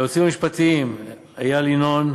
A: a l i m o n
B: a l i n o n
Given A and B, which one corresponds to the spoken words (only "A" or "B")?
B